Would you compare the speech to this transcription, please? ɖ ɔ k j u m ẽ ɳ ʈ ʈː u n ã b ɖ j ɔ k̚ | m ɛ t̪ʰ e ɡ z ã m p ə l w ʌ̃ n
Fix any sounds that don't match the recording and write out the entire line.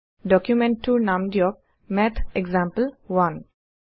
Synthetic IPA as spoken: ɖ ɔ k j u m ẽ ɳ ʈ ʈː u n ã m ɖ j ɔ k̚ | m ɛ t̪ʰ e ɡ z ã m p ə l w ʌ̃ n